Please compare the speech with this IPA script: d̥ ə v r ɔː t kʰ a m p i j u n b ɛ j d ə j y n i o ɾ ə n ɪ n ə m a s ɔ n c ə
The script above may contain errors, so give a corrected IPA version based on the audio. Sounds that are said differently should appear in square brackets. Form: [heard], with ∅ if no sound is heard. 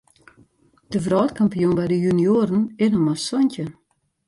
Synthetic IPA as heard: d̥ ə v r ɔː t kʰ a m p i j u n b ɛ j d ə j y n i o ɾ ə n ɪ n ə m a s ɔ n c ə

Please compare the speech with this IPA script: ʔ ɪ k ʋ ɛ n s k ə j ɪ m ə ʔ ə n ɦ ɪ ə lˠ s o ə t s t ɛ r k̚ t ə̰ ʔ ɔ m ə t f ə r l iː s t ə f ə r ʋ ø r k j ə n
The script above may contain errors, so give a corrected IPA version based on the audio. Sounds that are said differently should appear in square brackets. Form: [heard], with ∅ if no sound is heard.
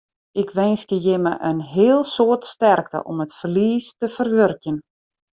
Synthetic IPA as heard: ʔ ɪ k ʋ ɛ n s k ə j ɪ m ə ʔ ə n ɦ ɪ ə lˠ s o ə t s t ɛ r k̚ t ə̰ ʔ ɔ m ə t f ə r l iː s t ə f ə r ʋ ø r k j ə n

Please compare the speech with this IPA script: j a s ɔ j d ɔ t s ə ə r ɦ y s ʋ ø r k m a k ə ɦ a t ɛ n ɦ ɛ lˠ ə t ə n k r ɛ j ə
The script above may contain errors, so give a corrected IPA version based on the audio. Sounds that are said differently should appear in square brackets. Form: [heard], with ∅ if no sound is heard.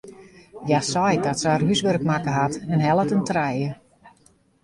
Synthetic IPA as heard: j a s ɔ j d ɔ t s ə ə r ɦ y s ʋ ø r k m a k ə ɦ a t ɛ n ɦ ɛ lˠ ə t ə n [t] r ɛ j ə

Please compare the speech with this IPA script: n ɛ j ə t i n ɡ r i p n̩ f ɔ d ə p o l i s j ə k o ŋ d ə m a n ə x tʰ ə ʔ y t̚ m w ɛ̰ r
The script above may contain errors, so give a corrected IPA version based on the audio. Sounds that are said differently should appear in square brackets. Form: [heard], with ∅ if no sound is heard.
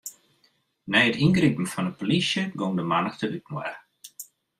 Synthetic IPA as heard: n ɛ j ə t i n ɡ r i p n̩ f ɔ [n] ə p o l i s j ə [ɡ] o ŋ d ə m a n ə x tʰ ə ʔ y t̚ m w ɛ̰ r

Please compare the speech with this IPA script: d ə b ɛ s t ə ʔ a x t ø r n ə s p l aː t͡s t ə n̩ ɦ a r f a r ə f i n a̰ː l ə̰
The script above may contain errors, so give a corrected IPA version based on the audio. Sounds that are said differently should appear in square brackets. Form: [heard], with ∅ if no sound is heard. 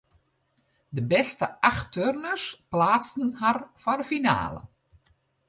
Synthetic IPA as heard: d ə b ɛ s t ə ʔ a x t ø r n ə s p l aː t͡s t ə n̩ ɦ a r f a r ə f i n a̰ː l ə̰

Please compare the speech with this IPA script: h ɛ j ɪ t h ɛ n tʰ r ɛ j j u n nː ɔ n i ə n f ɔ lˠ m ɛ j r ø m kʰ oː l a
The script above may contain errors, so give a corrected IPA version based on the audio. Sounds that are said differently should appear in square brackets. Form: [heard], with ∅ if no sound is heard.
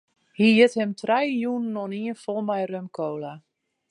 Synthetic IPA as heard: h [i] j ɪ t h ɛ [m] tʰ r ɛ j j u n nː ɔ n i ə n f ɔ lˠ m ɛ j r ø m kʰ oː l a

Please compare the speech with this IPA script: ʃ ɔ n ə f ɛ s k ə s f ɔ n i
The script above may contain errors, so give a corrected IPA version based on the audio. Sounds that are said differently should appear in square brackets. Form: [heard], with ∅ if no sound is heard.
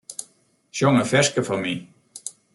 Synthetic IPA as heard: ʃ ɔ [ŋ] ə f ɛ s k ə [∅] f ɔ [m] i

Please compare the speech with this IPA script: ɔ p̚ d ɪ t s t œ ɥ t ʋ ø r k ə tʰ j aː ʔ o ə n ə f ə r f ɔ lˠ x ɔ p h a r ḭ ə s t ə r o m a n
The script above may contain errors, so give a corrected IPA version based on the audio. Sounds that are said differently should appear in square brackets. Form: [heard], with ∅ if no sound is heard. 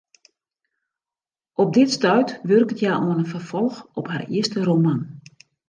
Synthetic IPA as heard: ɔ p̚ d ɪ t s t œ ɥ t ʋ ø r k ə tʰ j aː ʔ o ə n ə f ə r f ɔ lˠ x ɔ p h a r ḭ ə s t ə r o m a n

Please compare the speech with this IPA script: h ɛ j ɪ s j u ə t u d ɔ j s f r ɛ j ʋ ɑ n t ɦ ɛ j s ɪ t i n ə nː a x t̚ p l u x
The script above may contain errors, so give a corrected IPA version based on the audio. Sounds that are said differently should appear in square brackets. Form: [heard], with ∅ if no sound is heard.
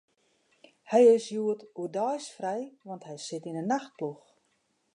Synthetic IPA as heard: h ɛ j ɪ s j u ə t u d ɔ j s f r ɛ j ʋ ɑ n t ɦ ɛ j s ɪ t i n ə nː a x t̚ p l u x

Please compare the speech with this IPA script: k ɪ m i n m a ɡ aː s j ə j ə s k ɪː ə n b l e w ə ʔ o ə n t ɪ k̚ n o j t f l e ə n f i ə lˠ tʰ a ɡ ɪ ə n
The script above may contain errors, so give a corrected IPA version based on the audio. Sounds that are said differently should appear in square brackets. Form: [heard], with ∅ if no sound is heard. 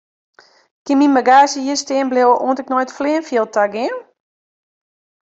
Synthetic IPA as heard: k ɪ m i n m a ɡ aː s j ə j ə s [t] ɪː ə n b l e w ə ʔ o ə n t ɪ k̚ n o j t f l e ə n f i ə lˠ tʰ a ɡ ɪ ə n

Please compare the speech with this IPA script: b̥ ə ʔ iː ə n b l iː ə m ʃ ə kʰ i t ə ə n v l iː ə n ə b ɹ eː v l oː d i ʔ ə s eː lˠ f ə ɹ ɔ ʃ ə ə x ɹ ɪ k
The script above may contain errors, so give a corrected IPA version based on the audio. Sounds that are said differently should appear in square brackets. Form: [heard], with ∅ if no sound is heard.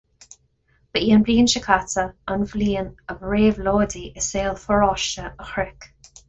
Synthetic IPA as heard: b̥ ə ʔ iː ə n b l iː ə [n] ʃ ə kʰ [a] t ə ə n v l iː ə n ə b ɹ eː v l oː d i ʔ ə s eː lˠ f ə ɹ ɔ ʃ ə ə x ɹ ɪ k

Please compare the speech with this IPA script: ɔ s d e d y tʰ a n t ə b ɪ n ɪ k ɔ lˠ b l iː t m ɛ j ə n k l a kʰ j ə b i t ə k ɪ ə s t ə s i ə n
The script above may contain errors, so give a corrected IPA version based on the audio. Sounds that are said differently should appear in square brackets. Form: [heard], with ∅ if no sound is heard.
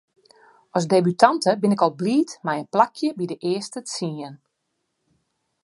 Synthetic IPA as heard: ɔ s d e [b] y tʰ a n t ə b ɪ n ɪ k ɔ lˠ b l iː t m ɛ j ə n [p] l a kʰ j ə b i [d] ə [ʔ] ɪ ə s t ə s i ə n

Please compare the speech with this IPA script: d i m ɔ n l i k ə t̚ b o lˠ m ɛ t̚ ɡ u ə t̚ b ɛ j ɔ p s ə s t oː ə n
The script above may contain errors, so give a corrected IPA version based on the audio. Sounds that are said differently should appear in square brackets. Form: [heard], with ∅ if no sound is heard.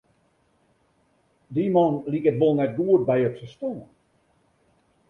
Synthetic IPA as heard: d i m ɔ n l i k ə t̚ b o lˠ [n] ɛ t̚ ɡ u ə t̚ b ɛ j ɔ p s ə s t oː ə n

